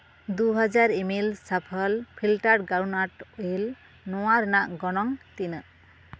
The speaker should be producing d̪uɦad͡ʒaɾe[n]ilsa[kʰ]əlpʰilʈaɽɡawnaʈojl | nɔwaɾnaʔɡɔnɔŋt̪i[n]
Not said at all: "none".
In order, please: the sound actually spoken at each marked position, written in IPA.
m, pʰ, n

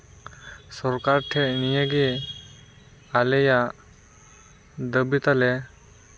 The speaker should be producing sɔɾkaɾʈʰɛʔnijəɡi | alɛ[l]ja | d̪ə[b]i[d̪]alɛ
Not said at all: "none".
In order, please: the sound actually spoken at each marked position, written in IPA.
none, b, t̪

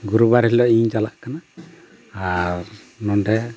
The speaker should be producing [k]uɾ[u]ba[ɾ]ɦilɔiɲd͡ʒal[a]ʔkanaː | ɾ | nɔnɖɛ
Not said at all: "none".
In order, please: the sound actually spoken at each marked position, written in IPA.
ɡ, u, ɾ, a

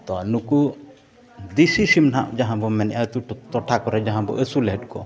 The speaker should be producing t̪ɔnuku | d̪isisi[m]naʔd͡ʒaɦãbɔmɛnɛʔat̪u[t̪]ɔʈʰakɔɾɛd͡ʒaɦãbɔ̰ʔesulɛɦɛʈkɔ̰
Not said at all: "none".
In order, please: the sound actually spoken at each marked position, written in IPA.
m, t̪

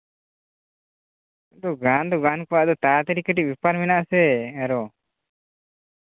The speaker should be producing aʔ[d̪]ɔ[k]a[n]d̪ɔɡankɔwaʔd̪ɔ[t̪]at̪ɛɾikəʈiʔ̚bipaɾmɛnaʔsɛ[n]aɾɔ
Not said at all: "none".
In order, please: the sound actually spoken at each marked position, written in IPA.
d̪, ɡ, n, t̪, none

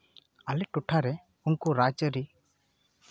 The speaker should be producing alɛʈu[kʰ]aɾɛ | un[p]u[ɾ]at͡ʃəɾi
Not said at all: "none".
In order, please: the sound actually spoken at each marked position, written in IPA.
ʈʰ, k, ɾ

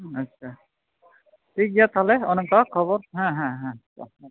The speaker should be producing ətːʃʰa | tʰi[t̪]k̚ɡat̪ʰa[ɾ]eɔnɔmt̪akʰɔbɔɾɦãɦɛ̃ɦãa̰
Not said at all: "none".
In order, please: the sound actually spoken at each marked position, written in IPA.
none, l

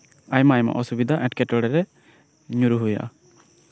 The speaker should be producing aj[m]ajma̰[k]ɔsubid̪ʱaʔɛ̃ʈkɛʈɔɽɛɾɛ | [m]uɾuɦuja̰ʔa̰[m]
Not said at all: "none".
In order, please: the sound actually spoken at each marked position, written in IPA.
m, ʔ, ɲ, none

